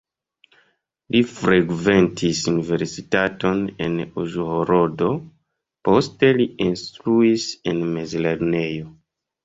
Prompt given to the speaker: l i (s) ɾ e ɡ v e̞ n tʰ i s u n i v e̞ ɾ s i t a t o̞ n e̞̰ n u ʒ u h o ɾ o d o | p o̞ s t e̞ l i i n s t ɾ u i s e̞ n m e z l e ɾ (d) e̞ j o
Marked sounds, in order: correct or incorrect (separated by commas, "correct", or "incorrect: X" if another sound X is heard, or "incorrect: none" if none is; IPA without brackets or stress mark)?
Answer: incorrect: f, incorrect: n